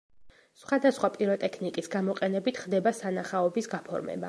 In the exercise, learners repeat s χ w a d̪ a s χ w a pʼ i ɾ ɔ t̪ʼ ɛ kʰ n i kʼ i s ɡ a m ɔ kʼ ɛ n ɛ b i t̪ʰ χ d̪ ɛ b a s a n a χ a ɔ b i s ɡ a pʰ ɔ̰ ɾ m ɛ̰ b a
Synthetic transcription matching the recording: s χ w a d̪ a s χ w a pʼ i ɾ ɔ t̪ʼ ɛ kʰ n i kʼ i s ɡ a m ɔ qʼ ɛ n ɛ b i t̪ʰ χ d̪ ɛ b a s a n a χ a ɔ b i s ɡ a pʰ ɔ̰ ɾ m ɛ̰ b a